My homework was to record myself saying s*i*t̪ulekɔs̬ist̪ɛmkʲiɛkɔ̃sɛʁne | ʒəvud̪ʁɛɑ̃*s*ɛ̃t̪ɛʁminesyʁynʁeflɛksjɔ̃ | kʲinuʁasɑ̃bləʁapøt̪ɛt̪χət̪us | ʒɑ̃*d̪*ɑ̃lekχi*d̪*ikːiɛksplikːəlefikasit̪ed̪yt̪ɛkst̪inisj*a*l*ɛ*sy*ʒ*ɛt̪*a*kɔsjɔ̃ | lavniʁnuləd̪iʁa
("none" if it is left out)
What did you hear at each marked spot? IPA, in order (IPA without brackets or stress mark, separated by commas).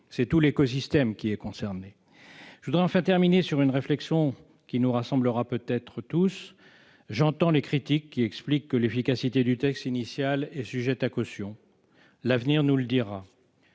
ɛ, f, t̪, t̪, a, ɛ, ʒ, a